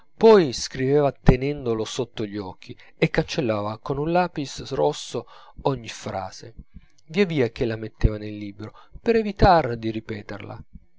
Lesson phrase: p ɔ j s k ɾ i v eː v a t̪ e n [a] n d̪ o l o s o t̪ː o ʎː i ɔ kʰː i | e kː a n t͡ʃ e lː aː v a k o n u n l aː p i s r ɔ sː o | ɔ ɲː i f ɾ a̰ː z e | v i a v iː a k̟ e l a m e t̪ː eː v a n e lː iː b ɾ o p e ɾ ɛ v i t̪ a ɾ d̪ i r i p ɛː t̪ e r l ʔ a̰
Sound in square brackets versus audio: incorrect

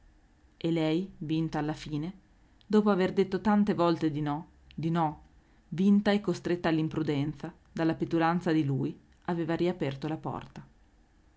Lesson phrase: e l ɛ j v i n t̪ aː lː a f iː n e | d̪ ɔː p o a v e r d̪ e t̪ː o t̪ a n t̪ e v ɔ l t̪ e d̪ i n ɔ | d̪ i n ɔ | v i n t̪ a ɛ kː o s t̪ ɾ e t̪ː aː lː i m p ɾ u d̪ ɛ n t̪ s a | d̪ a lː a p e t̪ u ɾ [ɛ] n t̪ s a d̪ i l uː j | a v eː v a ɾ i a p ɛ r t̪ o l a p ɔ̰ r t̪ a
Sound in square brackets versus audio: incorrect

